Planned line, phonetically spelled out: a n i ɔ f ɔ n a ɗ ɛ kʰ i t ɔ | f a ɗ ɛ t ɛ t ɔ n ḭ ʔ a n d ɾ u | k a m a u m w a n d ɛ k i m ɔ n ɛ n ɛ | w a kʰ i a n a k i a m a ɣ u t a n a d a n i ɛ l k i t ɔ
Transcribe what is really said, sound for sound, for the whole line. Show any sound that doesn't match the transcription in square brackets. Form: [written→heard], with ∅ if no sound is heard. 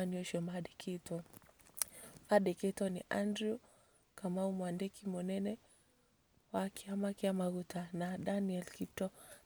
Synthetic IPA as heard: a n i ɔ [f→ʃ] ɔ [n→m] a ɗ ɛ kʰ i t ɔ | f a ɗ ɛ [t→k] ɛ t ɔ n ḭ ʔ a n d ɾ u | k a m a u m w a n d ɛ k i m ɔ n ɛ n ɛ | w a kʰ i a [n→m] a k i a m a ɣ u t a n a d a n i ɛ l k i t ɔ